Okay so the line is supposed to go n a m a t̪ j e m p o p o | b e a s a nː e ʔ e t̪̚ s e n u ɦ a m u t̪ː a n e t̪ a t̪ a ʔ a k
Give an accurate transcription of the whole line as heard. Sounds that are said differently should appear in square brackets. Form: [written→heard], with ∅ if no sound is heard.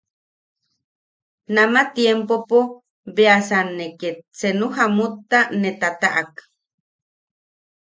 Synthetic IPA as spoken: n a m a t̪ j e m p o p o | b e a s a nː e [ʔ→k] e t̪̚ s e n u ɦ a m u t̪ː a n e t̪ a t̪ a ʔ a k